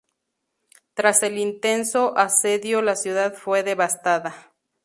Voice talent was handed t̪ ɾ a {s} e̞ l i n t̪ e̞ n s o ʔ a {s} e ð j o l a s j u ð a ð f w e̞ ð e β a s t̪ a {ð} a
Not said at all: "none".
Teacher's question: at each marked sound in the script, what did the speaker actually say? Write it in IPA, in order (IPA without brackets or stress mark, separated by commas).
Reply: s, s, ð